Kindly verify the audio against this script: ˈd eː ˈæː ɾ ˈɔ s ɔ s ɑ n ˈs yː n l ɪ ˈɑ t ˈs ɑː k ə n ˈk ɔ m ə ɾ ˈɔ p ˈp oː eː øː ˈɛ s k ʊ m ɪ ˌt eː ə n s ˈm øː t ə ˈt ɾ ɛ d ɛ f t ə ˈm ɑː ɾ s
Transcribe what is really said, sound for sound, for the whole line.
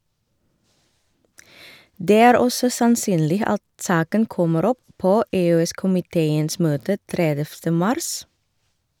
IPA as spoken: ˈd eː ˈæː ɾ ˈɔ s ɔ s ɑ n ˈs yː n l ɪ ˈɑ t ˈs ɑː k ə n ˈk ɔ m ə ɾ ˈɔ p ˈp oː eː øː ˈɛ s k ʊ m ɪ ˌt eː ə n s ˈm øː t ə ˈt ɾ ɛ d ɛ f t ə ˈm ɑ ɾ s